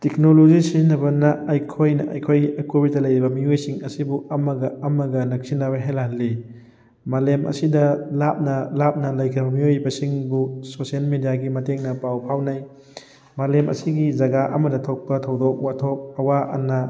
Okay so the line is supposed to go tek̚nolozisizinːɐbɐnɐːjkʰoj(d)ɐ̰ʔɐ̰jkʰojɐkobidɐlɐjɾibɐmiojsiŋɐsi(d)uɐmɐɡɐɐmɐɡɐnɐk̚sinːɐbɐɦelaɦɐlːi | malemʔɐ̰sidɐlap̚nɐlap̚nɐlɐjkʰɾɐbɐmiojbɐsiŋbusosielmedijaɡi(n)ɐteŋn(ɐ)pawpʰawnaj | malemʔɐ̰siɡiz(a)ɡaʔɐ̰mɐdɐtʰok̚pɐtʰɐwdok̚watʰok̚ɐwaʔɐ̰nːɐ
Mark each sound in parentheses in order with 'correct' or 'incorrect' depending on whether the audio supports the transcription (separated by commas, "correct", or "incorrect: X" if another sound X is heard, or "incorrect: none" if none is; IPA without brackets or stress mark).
incorrect: n, incorrect: b, incorrect: m, correct, incorrect: ɐ